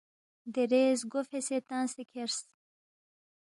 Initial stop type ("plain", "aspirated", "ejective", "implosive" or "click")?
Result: plain